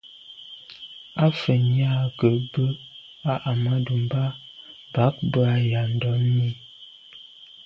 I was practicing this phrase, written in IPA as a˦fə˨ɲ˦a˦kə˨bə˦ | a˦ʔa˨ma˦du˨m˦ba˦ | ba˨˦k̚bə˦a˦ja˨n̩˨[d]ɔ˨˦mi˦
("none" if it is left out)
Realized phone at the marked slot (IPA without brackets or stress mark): d